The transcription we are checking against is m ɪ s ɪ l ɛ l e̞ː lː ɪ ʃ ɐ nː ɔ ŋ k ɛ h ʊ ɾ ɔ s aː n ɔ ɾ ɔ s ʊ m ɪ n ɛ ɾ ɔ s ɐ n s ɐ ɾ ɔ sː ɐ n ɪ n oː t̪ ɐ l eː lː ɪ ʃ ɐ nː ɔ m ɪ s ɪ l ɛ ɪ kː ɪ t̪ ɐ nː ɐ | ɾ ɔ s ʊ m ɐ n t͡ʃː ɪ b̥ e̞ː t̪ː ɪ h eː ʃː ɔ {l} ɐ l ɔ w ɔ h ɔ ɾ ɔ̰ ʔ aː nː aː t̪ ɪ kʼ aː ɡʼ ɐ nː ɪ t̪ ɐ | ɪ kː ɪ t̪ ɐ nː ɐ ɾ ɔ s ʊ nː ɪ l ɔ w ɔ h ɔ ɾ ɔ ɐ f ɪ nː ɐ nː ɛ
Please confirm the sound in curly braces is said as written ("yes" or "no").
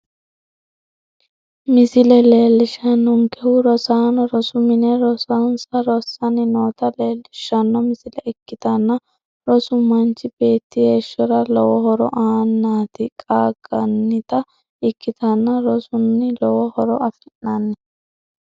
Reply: no